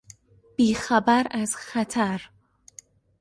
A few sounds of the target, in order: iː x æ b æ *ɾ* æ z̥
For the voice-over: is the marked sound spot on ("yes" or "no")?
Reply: yes